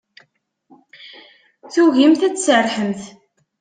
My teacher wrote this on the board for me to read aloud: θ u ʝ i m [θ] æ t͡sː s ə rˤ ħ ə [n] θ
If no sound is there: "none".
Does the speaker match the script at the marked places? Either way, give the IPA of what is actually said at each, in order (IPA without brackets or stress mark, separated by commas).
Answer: θ, m